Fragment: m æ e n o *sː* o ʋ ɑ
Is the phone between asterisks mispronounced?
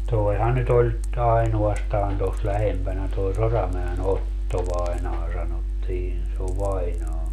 yes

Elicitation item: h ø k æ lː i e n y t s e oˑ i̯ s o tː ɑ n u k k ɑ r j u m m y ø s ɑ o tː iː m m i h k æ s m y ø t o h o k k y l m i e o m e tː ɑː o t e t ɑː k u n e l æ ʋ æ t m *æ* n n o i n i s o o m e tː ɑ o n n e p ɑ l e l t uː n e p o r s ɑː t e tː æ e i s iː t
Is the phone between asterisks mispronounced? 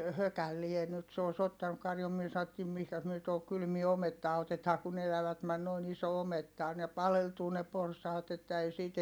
no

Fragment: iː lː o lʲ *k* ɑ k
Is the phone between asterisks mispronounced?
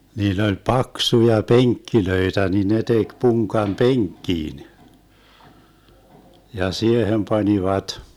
yes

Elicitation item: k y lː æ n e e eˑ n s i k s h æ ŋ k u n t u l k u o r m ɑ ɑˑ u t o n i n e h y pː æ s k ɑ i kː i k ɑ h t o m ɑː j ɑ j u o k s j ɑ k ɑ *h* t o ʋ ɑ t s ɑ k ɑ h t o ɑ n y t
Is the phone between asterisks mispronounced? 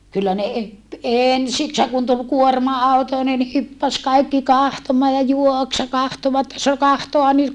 no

